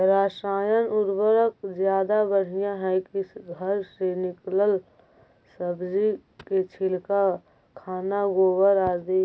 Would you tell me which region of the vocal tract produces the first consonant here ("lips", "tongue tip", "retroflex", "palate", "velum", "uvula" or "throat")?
tongue tip